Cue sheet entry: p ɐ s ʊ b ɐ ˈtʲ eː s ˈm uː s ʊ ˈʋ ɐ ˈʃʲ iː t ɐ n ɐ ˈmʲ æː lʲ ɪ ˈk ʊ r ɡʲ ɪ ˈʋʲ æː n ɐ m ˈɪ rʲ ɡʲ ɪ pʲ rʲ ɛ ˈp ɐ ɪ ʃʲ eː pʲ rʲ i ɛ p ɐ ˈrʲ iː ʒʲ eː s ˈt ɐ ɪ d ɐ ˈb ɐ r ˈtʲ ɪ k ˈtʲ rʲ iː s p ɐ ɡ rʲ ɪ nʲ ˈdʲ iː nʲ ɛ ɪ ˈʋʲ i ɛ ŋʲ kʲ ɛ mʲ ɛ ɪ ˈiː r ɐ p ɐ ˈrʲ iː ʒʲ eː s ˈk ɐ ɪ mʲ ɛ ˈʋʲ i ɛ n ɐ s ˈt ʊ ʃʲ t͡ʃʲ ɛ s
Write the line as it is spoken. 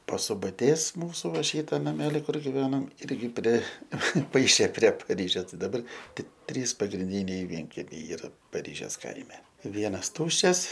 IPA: p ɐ s ʊ b ɐ ˈtʲ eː s ˈm uː s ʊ ˈʋ ɐ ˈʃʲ iː t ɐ n ɐ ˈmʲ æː lʲ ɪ ˈk ʊ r ɡʲ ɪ ˈʋʲ æː n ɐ m ˈɪ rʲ ɡʲ ɪ pʲ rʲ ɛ ˈp ɐ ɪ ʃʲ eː pʲ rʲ i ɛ p ɐ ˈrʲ iː ʒʲ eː s ˈt ɐ ɪ d ɐ ˈb ɐ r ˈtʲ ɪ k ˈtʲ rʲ iː s p ɐ ɡ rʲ ɪ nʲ ˈdʲ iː nʲ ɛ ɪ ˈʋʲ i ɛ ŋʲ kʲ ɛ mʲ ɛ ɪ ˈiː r ɐ p ɐ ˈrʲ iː ʒʲ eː s ˈk ɐ ɪ mʲ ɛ ˈʋʲ i ɛ n ɐ s ˈt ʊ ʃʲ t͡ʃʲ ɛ s